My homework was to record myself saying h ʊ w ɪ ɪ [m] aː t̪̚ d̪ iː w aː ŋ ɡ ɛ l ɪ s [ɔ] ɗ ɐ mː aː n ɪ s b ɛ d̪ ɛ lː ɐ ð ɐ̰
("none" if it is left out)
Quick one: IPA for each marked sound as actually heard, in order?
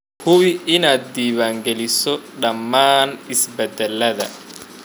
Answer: n, ɔ

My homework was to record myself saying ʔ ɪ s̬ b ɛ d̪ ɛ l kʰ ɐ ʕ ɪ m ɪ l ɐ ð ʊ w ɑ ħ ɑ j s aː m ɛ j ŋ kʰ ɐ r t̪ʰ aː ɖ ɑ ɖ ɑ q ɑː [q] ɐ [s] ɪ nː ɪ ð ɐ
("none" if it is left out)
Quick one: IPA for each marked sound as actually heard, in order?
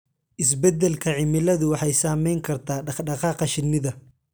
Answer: q, ʃ

